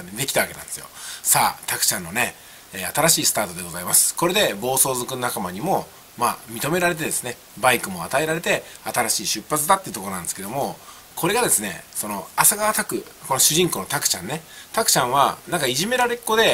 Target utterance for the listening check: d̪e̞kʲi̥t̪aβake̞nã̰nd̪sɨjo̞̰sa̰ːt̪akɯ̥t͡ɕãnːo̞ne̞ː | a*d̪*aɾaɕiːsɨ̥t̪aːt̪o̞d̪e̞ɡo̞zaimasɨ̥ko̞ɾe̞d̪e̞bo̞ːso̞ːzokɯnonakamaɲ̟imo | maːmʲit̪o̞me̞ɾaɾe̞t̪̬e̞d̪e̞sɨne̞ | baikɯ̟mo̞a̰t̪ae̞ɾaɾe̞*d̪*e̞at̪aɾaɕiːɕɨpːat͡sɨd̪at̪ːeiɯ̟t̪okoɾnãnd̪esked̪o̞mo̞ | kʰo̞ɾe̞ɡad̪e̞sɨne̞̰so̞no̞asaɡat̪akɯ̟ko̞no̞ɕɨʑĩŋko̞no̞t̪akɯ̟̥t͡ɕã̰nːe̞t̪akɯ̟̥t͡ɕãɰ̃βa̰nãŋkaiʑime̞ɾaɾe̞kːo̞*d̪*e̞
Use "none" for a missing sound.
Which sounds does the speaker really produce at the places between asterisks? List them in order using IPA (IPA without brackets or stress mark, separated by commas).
t̪, t̪, d̪